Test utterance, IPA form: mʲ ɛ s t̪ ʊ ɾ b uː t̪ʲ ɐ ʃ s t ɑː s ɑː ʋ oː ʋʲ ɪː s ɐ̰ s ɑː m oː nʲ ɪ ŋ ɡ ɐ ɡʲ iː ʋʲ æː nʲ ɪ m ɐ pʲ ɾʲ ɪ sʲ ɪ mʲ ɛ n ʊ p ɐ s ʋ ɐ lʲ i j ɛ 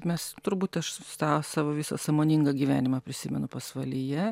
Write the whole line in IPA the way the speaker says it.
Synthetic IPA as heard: mʲ ɛ s t̪ ʊ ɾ b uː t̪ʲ ɐ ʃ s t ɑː s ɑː ʋ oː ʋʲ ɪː s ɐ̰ s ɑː m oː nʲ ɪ ŋ ɡ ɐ ɡʲ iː ʋʲ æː nʲ ɪ m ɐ pʲ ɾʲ ɪ sʲ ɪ mʲ ɛ n ʊ p ɐ s ʋ ɐ lʲ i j ɛ